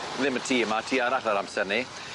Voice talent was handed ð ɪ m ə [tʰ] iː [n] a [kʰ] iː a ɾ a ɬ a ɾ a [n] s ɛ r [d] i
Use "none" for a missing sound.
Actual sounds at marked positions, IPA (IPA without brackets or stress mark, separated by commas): tʰ, m, tʰ, m, n